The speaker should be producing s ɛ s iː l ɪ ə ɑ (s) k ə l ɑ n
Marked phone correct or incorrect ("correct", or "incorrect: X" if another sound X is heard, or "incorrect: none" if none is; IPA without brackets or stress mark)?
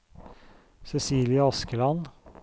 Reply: correct